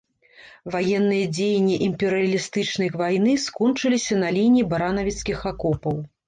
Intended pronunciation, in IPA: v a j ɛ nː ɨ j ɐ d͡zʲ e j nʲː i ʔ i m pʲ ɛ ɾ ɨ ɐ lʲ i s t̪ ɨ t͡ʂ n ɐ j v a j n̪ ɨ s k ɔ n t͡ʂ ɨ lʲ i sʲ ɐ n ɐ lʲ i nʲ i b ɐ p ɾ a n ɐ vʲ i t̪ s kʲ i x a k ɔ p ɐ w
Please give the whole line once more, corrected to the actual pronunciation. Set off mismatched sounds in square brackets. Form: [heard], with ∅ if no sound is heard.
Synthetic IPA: v a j ɛ nː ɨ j ɐ d͡zʲ e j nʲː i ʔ i m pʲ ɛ ɾ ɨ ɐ lʲ i s t̪ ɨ t͡ʂ n ɐ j v a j n̪ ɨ s k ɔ n t͡ʂ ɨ lʲ i sʲ ɐ n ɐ lʲ i nʲ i b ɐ [∅] ɾ a n ɐ vʲ i t̪ s kʲ i x a k ɔ p ɐ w